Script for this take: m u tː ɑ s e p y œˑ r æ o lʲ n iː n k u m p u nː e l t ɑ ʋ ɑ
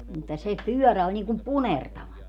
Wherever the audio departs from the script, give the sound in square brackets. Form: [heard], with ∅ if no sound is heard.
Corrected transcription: m u tː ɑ s e p y œˑ r æ o lʲ n iː [ŋ] k u m p u [n] e [r] t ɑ ʋ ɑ